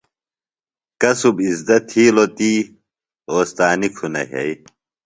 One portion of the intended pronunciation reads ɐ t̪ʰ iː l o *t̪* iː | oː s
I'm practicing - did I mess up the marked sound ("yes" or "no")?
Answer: no